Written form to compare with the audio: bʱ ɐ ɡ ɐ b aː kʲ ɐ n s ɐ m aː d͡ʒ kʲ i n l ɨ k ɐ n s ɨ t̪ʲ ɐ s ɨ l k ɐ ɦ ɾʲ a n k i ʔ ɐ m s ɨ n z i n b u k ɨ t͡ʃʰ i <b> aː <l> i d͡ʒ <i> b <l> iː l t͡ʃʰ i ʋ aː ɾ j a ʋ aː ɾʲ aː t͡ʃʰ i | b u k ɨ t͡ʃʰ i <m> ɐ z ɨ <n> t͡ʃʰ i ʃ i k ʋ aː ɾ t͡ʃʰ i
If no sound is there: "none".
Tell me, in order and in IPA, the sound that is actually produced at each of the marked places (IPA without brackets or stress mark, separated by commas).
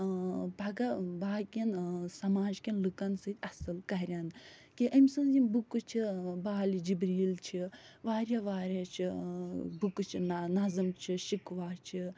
b, l, i, ɾ, n, m